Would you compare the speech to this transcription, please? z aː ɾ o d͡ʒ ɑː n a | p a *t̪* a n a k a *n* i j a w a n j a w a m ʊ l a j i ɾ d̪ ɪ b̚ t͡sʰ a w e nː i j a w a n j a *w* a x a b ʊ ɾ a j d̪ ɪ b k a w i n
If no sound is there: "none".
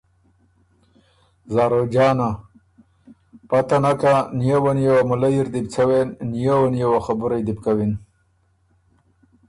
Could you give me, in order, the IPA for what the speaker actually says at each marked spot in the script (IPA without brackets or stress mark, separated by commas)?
t̪, n, w